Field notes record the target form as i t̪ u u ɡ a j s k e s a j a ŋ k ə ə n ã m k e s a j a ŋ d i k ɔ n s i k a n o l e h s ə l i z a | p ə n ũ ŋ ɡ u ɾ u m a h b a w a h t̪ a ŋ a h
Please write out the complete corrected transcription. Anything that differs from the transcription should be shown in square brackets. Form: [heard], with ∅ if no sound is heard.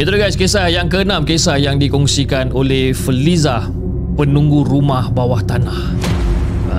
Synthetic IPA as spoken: i t̪ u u ɡ a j s k e s a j a ŋ k ə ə n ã m k e s a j a ŋ d i k ɔ [ŋ] s i k a n o l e h [f] ə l i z a | p ə n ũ ŋ ɡ u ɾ u m a h b a w a h t̪ a [n] a h